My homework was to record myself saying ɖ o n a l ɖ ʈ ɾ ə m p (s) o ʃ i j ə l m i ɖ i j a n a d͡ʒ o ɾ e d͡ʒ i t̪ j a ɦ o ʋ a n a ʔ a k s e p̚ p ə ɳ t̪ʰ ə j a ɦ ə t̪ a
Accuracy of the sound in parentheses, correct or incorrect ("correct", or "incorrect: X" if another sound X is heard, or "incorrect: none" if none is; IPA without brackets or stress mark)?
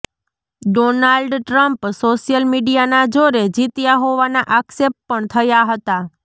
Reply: correct